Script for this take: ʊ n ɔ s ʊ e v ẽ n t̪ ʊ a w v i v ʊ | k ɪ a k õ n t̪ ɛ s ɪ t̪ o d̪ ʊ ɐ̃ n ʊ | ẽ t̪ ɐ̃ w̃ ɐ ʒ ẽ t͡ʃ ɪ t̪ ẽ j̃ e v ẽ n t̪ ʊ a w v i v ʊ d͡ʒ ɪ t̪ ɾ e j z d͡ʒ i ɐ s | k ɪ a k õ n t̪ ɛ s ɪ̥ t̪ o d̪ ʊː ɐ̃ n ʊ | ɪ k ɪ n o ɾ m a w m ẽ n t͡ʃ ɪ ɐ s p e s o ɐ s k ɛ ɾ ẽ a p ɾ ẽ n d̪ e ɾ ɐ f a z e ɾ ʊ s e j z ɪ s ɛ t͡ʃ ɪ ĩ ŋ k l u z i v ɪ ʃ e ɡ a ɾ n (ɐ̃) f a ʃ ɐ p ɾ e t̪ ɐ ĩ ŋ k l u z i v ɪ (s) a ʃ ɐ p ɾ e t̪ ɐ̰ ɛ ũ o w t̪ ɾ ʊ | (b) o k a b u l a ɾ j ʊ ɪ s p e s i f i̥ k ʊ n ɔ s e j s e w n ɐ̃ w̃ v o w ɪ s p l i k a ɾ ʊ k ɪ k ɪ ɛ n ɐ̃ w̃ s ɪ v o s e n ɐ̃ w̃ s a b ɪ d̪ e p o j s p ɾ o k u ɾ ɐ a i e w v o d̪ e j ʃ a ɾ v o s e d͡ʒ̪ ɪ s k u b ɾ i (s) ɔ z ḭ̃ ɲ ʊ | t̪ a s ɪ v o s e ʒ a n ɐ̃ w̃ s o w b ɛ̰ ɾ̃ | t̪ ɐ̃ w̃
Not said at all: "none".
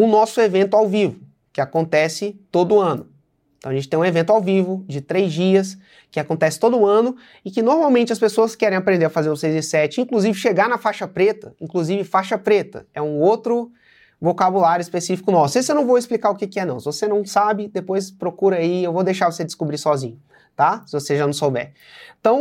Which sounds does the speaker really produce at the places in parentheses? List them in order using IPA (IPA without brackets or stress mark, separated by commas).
ɐ, f, v, s